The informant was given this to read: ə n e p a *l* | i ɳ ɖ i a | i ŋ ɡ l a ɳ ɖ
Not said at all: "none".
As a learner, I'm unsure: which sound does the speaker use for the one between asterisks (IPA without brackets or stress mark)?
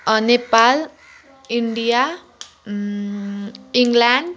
l